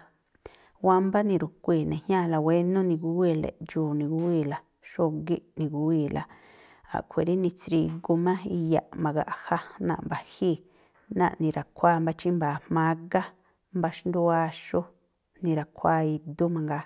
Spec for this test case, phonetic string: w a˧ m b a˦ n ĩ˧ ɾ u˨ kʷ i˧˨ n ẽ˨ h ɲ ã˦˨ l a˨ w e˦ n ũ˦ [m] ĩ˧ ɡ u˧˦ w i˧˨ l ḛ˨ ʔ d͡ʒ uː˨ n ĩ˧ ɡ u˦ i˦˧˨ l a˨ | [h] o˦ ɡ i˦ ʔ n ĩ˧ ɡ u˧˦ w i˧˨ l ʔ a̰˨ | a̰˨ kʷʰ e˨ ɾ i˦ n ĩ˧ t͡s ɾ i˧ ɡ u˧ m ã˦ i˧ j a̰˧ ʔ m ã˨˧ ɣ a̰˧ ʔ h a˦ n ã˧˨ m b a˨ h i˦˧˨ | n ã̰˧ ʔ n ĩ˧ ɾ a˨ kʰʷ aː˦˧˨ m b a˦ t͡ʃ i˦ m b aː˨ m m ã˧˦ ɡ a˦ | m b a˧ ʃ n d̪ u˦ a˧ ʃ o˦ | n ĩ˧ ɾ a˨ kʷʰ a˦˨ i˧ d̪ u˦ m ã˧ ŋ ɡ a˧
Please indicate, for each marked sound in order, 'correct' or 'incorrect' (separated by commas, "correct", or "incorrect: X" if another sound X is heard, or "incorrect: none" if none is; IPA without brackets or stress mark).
incorrect: n, incorrect: ʃ